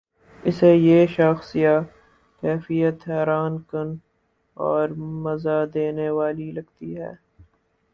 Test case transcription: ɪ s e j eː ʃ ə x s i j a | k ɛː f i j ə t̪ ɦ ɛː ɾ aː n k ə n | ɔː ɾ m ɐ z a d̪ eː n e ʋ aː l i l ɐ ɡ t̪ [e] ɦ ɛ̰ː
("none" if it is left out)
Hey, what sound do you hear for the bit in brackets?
i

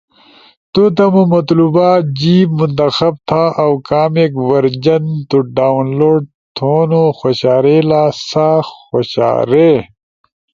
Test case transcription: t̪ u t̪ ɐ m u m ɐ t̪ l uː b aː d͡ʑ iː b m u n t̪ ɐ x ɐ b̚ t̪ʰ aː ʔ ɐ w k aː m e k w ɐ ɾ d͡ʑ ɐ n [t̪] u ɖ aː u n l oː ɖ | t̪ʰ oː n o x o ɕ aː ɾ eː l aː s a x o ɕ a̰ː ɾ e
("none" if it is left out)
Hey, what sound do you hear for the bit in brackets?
t̪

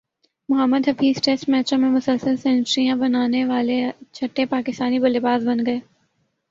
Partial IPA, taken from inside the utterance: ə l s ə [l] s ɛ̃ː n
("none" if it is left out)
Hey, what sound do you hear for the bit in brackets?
l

